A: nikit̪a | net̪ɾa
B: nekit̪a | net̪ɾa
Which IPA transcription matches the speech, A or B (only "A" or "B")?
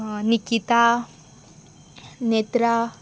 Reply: A